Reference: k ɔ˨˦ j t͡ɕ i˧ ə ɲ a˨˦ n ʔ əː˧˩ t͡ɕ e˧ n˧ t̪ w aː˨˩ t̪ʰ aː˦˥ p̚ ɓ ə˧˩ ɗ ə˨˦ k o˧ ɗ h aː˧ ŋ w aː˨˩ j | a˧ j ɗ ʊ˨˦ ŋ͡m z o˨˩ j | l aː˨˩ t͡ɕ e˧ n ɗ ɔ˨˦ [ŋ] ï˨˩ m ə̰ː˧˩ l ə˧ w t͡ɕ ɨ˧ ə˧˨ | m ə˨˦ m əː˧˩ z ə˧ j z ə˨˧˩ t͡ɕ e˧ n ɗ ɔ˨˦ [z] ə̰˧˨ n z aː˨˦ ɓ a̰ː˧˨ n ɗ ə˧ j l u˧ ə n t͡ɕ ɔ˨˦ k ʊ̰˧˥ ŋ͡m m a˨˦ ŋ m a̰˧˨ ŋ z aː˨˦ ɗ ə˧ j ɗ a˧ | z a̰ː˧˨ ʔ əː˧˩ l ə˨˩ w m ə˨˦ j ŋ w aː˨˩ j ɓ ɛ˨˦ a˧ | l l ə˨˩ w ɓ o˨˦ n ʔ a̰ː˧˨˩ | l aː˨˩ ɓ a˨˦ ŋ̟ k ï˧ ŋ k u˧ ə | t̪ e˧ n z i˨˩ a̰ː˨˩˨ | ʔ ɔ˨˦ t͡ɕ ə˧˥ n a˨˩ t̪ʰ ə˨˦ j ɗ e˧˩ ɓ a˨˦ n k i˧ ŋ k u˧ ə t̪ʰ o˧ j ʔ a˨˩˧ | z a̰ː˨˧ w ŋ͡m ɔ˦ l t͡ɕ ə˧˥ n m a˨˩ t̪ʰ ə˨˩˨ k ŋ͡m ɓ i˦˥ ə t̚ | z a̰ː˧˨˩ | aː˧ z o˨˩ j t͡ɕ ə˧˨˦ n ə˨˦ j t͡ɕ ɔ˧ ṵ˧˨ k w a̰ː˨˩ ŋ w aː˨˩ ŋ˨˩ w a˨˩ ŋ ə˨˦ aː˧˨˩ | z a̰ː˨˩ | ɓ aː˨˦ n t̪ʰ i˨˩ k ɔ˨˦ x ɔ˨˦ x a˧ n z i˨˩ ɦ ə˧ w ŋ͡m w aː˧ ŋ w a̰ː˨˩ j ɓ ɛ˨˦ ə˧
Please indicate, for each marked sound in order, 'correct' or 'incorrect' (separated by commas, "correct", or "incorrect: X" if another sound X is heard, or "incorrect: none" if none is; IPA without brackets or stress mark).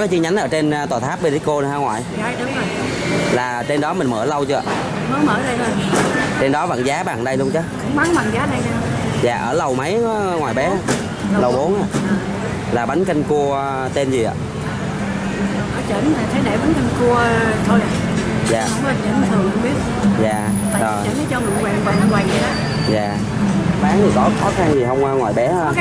incorrect: m, incorrect: v